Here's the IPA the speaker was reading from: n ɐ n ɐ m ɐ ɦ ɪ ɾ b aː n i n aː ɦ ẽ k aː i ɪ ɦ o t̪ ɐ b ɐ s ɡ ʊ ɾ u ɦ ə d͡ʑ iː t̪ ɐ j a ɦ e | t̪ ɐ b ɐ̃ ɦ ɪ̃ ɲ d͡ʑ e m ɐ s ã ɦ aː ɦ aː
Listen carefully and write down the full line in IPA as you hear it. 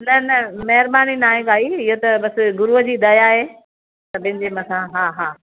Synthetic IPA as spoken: n ɐ n ɐ m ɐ ɦ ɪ ɾ b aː n i n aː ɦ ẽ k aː i ɪ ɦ o t̪ ɐ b ɐ s ɡ ʊ ɾ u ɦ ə d͡ʑ iː d̪ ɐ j a ɦ e | t̪ ɐ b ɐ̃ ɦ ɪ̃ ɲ d͡ʑ e m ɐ s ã ɦ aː ɦ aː